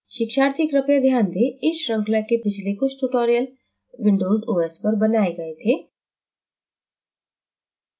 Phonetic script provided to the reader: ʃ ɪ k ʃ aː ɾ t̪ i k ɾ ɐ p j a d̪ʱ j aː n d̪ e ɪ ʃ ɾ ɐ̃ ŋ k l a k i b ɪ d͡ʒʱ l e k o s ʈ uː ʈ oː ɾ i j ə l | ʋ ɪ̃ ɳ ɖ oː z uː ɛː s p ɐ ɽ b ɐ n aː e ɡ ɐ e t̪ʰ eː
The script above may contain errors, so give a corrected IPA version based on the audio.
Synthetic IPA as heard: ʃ ɪ k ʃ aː ɾ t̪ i k ɾ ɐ p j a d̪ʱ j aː n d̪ e ɪ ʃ ɾ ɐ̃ ŋ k l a k e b ɪ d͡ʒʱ l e k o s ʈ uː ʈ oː ɾ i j ə l | ʋ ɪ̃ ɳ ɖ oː z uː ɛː s p ɐ ɾ b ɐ n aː e ɡ ɐ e t̪ʰ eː